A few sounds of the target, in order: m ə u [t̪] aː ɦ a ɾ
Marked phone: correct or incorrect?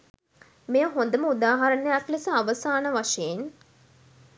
incorrect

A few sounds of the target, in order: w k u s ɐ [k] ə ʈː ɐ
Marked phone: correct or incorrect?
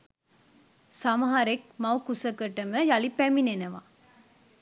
correct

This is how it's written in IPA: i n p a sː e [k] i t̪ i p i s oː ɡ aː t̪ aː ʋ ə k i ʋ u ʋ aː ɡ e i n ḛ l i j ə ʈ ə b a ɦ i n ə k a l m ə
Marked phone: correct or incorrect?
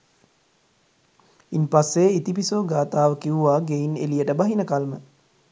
incorrect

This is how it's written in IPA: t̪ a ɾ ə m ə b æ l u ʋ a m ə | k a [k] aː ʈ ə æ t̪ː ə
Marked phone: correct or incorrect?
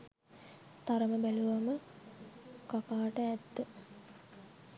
correct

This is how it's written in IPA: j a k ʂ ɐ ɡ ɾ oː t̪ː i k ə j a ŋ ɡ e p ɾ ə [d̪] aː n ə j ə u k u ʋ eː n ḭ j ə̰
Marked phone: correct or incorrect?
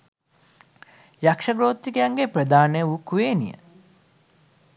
correct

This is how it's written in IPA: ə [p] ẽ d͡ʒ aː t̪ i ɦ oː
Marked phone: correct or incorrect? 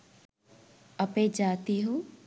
correct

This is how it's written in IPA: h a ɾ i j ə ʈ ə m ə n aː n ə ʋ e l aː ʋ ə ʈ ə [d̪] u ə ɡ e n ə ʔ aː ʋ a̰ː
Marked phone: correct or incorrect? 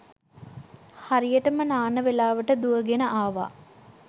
correct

